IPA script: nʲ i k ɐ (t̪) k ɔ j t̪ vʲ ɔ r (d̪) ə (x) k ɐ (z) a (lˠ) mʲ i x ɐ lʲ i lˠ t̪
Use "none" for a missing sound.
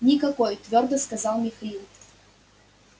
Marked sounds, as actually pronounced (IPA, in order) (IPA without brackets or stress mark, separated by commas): none, d̪, s, z, lˠ